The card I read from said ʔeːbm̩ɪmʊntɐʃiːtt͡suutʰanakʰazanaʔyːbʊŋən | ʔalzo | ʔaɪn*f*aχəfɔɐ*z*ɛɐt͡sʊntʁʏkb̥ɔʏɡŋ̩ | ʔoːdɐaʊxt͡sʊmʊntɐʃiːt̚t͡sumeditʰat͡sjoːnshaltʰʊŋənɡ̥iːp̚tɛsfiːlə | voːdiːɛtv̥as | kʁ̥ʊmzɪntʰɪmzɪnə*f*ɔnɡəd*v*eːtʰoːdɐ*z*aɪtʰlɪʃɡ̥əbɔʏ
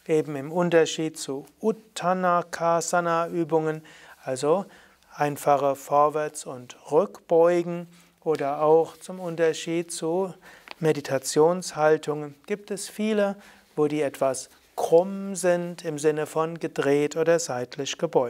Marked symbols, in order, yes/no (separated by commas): yes, no, yes, no, yes